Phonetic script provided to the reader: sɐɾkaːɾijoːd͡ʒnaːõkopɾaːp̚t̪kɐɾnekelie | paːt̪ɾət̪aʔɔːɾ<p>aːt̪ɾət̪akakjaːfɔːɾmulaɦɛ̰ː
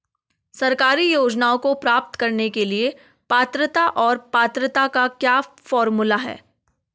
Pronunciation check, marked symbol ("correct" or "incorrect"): correct